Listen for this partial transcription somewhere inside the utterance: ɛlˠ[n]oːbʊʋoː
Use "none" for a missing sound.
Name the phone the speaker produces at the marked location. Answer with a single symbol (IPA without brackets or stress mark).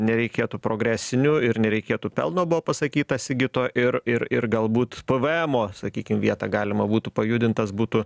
n